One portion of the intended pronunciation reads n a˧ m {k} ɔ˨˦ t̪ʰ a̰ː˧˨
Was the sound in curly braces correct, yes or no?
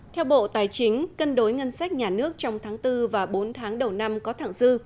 yes